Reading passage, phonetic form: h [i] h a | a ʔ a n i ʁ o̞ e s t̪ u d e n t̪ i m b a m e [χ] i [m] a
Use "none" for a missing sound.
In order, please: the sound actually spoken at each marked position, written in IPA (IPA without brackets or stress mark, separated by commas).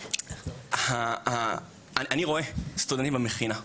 a, χ, n